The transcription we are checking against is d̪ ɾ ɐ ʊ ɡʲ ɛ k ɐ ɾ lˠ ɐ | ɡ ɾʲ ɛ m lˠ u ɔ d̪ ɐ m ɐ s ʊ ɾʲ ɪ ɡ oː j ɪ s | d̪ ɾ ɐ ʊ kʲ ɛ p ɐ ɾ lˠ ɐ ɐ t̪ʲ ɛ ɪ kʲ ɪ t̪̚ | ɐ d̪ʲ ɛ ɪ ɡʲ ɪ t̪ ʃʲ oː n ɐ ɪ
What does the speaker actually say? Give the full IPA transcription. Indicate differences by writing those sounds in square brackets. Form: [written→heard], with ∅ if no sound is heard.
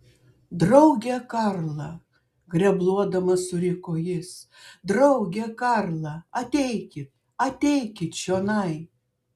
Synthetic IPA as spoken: d̪ ɾ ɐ ʊ ɡʲ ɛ k ɐ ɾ lˠ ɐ | ɡ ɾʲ ɛ [m→b] lˠ u ɔ d̪ ɐ m ɐ s ʊ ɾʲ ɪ [ɡ→k] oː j ɪ s | d̪ ɾ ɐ ʊ [kʲ→ɡʲ] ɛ [p→k] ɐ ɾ lˠ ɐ ɐ t̪ʲ ɛ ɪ kʲ ɪ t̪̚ | ɐ [d̪ʲ→t̪ʲ] ɛ ɪ [ɡʲ→kʲ] ɪ t̪ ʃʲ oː n ɐ ɪ